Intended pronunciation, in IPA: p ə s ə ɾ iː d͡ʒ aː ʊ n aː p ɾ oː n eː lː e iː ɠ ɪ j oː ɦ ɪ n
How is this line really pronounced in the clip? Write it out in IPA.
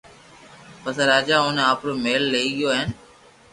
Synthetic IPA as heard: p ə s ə ɾ aː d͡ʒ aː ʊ n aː p ɾ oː m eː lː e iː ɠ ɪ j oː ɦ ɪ n